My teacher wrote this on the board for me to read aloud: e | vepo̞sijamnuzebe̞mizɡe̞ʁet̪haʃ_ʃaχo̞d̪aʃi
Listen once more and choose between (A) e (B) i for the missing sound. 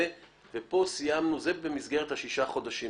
B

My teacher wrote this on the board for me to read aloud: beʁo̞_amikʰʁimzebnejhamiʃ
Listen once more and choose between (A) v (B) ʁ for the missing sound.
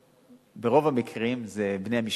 A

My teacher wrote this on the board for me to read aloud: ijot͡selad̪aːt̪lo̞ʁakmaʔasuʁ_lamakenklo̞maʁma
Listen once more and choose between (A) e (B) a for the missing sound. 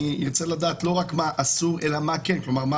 A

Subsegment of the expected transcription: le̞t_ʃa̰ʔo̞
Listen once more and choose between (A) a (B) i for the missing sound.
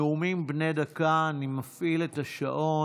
A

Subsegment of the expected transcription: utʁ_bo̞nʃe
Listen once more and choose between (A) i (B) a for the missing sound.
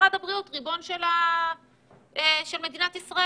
A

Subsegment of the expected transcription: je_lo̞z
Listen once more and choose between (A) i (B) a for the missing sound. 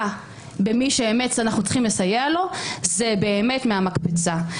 B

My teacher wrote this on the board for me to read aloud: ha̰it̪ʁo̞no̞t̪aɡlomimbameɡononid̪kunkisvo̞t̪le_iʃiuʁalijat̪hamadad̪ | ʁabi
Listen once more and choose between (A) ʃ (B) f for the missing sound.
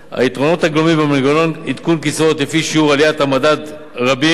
B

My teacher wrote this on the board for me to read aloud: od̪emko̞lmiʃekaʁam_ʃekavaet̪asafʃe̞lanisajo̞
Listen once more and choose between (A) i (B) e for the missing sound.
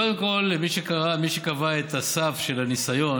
A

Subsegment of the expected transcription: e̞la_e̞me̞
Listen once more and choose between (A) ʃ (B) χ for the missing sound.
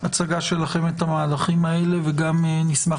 B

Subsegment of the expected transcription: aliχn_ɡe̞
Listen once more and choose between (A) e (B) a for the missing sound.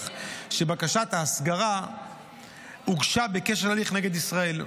A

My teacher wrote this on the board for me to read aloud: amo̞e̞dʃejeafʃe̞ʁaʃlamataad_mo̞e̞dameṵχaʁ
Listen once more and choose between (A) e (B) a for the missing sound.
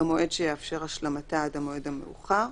B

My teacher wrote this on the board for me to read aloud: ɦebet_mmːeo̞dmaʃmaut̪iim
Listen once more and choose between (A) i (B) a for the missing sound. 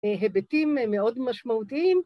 A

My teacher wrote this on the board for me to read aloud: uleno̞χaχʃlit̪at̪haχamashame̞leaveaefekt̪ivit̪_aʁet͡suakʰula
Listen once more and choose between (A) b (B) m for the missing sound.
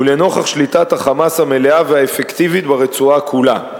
A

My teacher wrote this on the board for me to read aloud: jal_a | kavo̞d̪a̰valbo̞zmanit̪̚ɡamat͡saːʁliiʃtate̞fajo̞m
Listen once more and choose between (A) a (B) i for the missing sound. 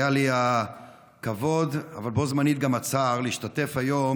B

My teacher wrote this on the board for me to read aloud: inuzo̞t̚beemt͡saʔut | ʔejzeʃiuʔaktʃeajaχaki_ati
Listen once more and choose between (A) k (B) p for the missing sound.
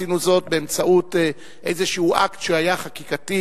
A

